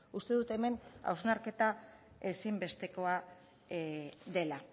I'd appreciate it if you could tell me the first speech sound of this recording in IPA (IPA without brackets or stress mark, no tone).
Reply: u